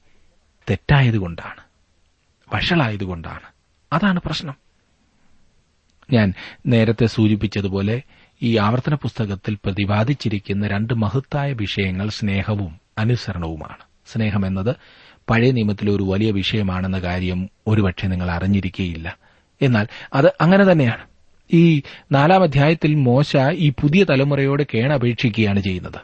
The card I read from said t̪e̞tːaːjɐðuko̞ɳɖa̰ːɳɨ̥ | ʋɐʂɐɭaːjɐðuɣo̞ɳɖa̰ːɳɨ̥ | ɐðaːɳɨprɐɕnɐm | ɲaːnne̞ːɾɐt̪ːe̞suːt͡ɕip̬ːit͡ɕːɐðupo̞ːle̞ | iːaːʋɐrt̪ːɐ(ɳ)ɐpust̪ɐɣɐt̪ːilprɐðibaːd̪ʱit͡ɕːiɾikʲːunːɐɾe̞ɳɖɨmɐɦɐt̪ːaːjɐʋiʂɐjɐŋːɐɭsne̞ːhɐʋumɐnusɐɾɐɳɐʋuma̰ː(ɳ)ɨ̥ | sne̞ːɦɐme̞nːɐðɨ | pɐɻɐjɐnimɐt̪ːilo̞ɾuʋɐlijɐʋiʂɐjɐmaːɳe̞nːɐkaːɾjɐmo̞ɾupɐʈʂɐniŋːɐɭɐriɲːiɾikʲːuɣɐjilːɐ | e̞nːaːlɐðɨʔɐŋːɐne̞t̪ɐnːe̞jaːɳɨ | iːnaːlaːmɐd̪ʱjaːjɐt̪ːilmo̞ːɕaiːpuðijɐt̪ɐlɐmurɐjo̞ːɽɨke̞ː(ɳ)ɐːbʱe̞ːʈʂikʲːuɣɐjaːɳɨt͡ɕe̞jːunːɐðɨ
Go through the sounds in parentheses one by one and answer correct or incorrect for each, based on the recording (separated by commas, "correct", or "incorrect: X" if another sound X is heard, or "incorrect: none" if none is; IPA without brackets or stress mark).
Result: incorrect: n, correct, correct